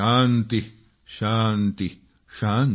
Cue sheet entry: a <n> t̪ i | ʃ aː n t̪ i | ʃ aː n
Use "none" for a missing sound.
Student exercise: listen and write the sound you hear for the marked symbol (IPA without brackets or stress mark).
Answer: n